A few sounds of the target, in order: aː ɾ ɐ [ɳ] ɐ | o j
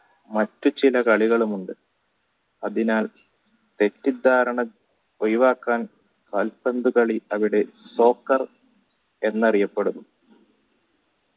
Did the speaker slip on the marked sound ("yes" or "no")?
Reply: no